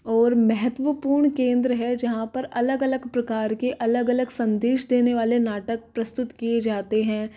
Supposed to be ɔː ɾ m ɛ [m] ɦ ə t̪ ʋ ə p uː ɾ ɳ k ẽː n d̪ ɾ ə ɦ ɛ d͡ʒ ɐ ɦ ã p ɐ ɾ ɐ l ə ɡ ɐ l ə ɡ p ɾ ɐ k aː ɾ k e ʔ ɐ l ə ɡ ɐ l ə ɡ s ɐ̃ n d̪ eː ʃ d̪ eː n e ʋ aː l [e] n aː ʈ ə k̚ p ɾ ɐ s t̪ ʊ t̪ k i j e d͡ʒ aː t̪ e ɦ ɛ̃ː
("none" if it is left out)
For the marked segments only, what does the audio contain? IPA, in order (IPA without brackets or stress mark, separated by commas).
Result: none, e